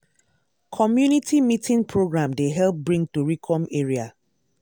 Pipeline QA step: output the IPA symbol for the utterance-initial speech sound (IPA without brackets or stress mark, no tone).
kʰ